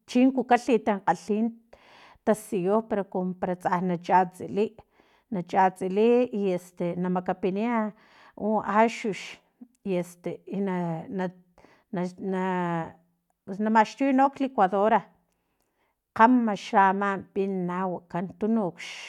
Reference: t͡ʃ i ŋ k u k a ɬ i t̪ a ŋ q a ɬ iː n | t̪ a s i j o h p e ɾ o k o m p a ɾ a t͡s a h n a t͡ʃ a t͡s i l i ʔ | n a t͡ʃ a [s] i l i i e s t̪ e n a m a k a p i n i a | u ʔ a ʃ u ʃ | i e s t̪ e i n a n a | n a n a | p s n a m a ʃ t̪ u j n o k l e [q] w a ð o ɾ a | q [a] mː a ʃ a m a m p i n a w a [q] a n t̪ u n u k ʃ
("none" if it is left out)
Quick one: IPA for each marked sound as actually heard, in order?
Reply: t͡s, k, a, k

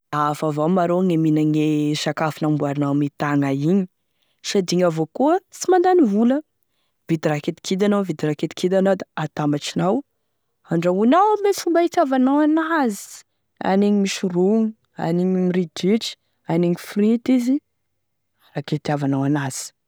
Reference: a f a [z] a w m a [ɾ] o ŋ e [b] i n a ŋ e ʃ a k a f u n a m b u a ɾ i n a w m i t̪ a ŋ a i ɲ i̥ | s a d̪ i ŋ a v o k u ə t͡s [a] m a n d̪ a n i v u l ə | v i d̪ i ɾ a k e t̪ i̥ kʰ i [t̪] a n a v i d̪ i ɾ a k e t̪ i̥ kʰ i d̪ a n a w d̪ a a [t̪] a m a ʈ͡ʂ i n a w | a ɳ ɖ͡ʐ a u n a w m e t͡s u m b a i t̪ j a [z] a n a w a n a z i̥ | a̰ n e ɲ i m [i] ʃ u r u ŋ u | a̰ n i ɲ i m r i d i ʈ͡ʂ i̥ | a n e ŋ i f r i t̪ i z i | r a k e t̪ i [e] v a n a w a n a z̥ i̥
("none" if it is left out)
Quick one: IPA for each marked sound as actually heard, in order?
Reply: v, ɾ, m, i, d̪, t̪, v, i, a

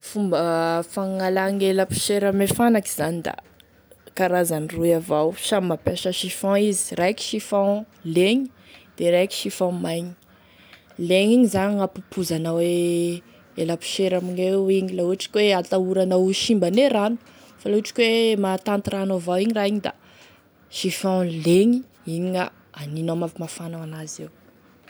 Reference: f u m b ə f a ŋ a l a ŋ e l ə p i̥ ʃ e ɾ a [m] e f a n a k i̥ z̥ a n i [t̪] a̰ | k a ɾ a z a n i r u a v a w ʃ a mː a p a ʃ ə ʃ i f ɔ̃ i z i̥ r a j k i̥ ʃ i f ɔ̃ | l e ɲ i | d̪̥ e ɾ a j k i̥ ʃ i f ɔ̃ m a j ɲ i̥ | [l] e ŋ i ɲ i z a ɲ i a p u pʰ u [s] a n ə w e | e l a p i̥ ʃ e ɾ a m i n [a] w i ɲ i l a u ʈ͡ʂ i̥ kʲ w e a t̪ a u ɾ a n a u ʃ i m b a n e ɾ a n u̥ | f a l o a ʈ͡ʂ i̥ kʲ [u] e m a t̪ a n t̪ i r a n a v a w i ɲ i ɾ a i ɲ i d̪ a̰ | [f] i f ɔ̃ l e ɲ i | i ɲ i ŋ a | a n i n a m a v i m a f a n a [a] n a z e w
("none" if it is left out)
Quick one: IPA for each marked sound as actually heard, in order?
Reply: m, d̪, l, z, e, w, ʃ, a

